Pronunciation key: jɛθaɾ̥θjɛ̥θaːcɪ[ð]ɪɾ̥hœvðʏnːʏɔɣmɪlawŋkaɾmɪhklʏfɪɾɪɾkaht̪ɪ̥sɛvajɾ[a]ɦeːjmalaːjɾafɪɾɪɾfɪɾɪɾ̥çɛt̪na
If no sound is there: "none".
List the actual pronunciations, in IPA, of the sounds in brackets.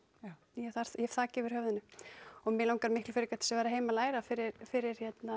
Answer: v, a

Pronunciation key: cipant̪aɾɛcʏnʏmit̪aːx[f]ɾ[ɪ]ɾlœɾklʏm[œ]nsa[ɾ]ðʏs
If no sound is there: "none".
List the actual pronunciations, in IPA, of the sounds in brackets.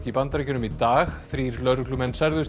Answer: θ, i, ɛ, ɾ

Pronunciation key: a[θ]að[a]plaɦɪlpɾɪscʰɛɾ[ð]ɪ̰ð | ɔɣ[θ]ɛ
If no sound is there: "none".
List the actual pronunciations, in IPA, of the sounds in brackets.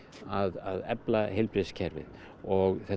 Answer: ð, ɛ, v, θ

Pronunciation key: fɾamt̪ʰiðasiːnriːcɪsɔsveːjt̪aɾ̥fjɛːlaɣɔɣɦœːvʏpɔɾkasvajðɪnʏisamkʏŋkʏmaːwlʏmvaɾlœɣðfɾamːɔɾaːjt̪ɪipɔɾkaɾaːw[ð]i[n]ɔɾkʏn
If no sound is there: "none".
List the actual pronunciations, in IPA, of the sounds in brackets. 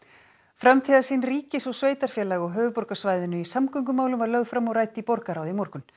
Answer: ð, m

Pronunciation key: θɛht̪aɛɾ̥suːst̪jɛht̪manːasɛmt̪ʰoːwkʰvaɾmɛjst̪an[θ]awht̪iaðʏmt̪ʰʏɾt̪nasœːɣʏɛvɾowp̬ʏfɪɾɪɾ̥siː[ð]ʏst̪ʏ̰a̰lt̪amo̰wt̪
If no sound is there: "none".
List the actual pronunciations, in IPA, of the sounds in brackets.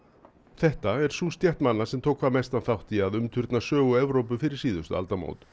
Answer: θ, ð

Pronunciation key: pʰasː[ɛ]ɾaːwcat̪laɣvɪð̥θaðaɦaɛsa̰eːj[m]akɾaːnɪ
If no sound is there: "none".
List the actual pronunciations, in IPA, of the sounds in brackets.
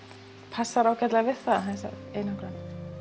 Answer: a, n

